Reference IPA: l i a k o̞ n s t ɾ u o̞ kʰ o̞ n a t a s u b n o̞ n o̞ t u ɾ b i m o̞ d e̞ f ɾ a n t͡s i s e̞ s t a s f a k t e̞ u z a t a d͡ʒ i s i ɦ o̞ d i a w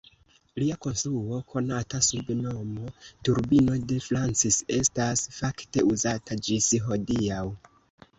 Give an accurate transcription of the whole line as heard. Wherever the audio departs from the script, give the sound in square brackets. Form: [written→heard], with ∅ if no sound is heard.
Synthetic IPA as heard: l i a k o̞ n s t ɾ u o̞ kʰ o̞ n a t a s u b n o̞ [n→m] o̞ t u ɾ b i [m→n] o̞ d e̞ f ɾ a n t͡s i s e̞ s t a s f a k t e̞ u z a t a d͡ʒ i s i ɦ o̞ d i a w